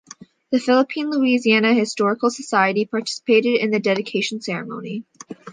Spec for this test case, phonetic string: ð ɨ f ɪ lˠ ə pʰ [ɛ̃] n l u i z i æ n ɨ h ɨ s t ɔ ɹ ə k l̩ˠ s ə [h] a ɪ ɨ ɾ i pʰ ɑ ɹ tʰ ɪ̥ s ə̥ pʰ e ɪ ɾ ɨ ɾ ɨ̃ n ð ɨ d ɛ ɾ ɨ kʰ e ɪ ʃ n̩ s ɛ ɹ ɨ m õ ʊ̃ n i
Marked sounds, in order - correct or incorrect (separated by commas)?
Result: incorrect, incorrect